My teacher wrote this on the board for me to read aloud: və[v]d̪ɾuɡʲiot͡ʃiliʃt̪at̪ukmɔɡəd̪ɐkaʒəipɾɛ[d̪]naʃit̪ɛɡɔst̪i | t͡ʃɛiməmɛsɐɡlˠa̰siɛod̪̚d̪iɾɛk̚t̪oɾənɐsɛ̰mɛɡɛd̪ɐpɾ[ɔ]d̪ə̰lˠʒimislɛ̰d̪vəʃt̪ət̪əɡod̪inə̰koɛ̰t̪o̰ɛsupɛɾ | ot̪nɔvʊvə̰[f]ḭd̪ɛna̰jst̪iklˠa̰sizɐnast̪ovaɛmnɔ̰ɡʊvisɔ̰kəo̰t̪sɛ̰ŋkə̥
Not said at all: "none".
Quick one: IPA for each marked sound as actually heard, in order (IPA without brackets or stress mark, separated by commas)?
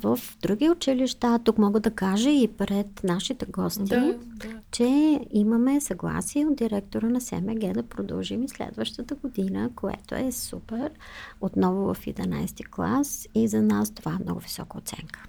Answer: f, t̪, o, f